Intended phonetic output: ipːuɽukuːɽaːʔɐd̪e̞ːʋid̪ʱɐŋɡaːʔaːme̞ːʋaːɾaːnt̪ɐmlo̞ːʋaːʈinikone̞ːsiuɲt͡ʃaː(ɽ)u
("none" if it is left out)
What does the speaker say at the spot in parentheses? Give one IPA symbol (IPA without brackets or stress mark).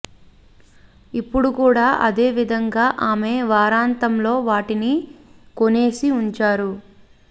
ɾ